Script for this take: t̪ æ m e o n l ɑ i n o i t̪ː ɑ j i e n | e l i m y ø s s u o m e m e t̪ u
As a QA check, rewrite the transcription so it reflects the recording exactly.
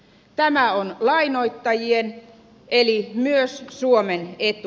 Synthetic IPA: t̪ æ m æ o n l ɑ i n o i t̪ː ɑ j i e n | e l i m y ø s s u o m e n e t̪ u